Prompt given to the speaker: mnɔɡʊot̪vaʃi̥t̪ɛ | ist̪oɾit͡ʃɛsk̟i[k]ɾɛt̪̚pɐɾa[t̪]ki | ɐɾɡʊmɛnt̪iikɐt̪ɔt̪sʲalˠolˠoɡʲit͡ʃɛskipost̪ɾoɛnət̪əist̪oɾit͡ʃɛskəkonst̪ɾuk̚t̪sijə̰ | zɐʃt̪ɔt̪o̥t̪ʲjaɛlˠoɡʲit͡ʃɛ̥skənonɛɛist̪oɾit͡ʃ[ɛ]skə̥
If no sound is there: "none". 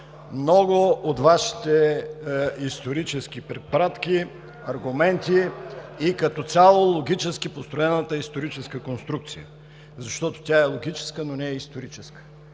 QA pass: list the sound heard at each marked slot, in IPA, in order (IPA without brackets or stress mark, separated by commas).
p, t̪, ɛ